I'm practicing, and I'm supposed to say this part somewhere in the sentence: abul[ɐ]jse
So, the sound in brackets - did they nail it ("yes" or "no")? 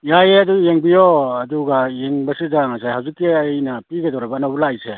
no